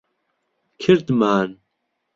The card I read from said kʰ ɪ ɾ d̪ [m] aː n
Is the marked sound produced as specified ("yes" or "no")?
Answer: yes